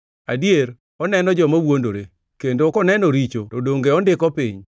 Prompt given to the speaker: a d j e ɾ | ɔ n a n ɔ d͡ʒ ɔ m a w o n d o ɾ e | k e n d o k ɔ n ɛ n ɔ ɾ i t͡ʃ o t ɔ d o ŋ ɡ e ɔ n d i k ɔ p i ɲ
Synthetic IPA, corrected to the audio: a d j e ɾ | ɔ n ɛ n ɔ d͡ʒ ɔ m a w o n d o ɾ e | k e n d o k ɔ n ɛ n ɔ ɾ i t͡ʃ o t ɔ d o ŋ ɡ e ɔ n d ɪ k ɔ p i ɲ